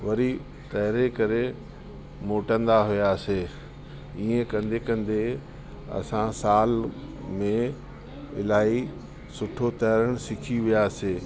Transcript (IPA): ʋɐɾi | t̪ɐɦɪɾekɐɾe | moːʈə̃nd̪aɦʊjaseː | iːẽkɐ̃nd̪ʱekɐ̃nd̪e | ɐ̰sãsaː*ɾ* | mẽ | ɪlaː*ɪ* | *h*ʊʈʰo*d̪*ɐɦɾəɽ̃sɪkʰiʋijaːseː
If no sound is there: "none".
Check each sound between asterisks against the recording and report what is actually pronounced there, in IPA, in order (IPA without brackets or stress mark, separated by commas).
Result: l, i, s, t̪